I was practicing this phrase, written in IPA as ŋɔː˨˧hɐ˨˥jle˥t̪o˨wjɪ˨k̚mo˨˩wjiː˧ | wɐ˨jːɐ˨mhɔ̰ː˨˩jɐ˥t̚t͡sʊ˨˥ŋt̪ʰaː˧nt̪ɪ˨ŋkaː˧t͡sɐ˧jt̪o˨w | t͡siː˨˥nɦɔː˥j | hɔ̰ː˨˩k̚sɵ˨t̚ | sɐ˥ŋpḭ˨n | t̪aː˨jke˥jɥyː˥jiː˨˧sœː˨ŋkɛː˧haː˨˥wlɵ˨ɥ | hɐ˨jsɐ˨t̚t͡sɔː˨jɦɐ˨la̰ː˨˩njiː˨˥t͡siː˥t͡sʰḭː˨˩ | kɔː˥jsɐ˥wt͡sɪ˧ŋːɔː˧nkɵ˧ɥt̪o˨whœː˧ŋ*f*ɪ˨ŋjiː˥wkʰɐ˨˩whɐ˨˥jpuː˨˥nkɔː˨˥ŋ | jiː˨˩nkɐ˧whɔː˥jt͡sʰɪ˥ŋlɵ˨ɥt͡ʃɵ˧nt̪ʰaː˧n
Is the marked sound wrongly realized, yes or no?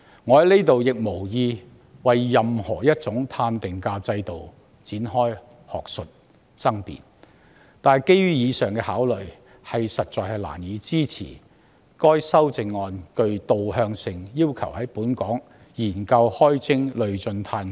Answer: yes